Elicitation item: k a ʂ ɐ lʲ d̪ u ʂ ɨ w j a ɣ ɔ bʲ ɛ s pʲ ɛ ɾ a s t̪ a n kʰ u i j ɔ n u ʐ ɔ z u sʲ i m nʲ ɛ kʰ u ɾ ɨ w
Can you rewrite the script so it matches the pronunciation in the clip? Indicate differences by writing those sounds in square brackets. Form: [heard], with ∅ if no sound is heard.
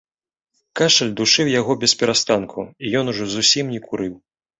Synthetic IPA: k a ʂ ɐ lʲ d̪ u ʂ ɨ w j a ɣ ɔ bʲ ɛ s pʲ ɛ ɾ a s t̪ a n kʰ u i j ɔ n u ʐ ɔ z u sʲ i m nʲ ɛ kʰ u ɾ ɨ w